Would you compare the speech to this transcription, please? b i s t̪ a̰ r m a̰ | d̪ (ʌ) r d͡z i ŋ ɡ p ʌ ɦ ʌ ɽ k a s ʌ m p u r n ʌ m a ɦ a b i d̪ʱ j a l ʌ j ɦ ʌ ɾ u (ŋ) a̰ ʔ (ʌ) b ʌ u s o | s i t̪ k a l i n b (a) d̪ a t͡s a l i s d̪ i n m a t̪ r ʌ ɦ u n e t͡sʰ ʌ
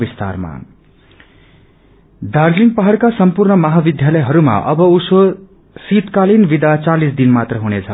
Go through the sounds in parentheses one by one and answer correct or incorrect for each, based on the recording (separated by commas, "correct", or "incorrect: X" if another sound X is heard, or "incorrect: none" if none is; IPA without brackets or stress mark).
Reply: incorrect: a, incorrect: m, correct, incorrect: i